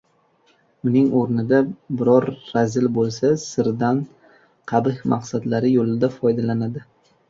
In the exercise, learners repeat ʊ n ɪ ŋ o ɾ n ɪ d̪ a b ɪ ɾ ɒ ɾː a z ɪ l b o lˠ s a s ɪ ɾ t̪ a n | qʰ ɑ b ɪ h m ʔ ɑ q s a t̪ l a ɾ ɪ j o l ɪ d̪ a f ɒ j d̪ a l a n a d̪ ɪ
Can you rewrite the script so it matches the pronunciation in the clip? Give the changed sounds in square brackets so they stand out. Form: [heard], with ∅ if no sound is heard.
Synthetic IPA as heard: ʊ n ɪ ŋ o ɾ n ɪ d̪ a b ɪ ɾ ɒ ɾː a z ɪ l b o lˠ s a s ɪ ɾ [d̪] a n | qʰ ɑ b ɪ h m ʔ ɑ q s a [d̪] l a ɾ ɪ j o l ɪ d̪ a f ɒ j d̪ a l a n a d̪ ɪ